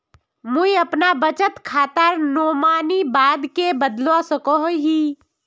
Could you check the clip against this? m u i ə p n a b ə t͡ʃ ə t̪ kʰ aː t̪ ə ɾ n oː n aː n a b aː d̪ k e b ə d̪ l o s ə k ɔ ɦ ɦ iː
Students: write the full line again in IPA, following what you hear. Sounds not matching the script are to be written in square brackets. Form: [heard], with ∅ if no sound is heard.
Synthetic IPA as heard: m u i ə p n a b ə t͡ʃ ə t̪ kʰ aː t̪ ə ɾ n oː [m] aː n [i] b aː d̪ k e b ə d̪ l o s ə k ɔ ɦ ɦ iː

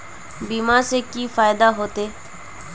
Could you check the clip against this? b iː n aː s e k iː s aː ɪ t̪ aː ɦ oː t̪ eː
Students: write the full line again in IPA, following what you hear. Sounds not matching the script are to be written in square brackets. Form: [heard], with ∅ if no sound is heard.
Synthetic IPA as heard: b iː [m] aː s e k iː [f] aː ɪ [d̪] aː ɦ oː t̪ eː

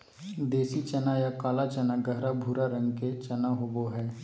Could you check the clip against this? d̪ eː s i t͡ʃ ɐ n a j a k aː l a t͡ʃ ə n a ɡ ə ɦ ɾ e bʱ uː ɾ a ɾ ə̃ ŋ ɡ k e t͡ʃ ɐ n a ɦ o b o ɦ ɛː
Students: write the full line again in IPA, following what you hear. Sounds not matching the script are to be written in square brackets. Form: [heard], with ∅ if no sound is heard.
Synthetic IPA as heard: d̪ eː s i t͡ʃ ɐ n a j a k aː l a t͡ʃ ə n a ɡ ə ɦ ɾ [a] bʱ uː ɾ a ɾ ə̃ ŋ ɡ k e t͡ʃ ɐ n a ɦ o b o ɦ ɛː

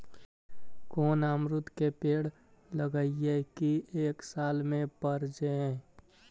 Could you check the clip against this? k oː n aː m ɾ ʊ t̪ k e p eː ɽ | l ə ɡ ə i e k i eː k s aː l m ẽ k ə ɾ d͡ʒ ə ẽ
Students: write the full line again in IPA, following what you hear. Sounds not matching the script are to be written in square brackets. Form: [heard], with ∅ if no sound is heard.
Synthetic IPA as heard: k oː n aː m ɾ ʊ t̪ k e p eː ɽ | l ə ɡ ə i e k i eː k s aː l m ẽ [p] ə ɾ d͡ʒ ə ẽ

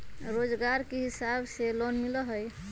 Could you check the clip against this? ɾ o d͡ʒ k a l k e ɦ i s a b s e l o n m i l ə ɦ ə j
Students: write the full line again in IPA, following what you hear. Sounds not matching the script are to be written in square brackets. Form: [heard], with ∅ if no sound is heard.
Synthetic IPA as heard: ɾ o d͡ʒ [ɡ] a [ɾ] k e ɦ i s a b s e l o n m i l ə ɦ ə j

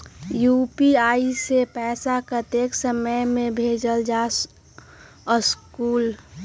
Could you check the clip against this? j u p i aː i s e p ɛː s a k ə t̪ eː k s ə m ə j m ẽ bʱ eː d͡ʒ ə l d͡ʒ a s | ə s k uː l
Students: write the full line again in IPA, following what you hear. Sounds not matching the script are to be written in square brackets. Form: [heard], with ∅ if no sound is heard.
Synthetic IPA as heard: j u p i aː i s e p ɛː s a k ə t̪ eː k s ə m ə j m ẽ bʱ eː d͡ʒ ə l d͡ʒ a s | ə s k uː l

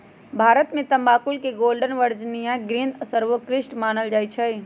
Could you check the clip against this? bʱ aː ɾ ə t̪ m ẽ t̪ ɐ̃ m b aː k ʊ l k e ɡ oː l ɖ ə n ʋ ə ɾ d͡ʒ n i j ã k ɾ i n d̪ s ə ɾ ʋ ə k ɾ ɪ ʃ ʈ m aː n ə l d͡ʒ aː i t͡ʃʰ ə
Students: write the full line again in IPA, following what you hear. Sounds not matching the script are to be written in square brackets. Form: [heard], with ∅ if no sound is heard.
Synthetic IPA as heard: bʱ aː ɾ ə t̪ m ẽ t̪ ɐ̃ m b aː k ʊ l k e ɡ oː l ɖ ə n ʋ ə ɾ d͡ʒ n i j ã [ɡ] ɾ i n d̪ s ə ɾ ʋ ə k ɾ ɪ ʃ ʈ m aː n ə l d͡ʒ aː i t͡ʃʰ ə

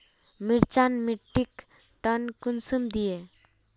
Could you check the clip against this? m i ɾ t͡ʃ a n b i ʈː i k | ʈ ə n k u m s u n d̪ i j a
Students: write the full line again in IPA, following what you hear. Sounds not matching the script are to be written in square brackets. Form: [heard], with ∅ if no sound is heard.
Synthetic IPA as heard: m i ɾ t͡ʃ a n [m] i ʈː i k | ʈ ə n k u [n] s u [m] d̪ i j [e]

